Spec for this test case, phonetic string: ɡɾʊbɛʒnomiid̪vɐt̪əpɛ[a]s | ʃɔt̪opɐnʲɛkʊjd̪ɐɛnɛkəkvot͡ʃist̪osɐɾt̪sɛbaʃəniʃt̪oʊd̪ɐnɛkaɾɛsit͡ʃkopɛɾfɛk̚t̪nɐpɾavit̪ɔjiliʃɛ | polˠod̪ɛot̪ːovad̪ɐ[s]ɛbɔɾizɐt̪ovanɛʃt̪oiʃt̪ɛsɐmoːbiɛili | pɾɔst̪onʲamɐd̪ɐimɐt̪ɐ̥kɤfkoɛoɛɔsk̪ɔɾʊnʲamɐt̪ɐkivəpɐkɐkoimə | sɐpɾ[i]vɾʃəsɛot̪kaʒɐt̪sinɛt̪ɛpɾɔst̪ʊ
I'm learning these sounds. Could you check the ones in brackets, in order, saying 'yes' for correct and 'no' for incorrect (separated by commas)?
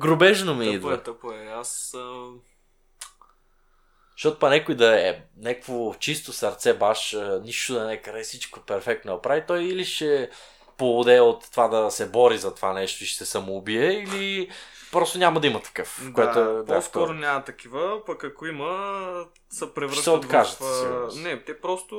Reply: yes, yes, no